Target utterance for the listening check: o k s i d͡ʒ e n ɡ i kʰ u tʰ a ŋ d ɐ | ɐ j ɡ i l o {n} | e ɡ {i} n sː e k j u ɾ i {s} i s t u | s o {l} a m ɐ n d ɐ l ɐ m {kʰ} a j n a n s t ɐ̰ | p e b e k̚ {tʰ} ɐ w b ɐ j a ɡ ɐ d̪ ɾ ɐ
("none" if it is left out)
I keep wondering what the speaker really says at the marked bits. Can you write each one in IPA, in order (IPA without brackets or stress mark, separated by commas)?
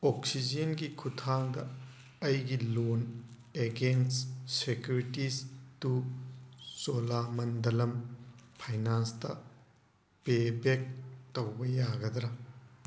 n, e, t, l, pʰ, t